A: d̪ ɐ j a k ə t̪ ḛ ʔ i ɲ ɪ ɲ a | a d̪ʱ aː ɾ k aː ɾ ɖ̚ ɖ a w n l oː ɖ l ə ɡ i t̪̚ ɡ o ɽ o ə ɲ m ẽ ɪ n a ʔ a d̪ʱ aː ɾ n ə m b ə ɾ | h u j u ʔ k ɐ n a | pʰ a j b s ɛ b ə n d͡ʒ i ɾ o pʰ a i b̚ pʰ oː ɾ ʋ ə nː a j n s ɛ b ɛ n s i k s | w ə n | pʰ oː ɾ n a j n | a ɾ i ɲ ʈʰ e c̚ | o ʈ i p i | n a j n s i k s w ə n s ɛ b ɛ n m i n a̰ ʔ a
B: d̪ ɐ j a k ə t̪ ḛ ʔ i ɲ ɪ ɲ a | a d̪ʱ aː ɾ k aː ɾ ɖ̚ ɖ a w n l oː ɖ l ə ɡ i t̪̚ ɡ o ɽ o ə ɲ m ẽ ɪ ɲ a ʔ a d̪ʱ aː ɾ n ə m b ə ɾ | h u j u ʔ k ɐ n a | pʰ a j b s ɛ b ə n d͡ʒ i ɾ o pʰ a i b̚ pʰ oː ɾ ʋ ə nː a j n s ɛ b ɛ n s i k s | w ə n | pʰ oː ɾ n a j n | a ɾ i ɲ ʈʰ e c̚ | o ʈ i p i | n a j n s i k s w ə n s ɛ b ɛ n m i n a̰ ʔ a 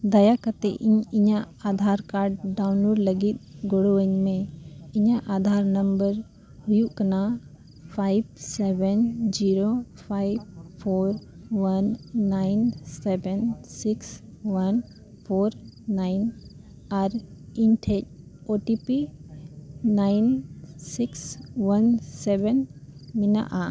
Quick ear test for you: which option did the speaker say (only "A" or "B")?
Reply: B